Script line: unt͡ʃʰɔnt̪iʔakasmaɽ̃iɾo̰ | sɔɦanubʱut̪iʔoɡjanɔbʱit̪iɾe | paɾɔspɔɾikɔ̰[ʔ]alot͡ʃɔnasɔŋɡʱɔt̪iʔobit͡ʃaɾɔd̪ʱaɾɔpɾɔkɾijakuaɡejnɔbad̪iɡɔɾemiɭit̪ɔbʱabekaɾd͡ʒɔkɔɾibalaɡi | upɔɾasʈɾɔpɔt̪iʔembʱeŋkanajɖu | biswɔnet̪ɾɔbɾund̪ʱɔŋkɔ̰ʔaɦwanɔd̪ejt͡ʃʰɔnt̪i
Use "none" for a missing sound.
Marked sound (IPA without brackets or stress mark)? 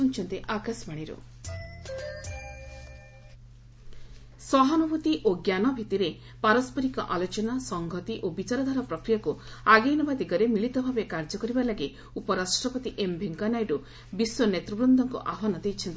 ʔ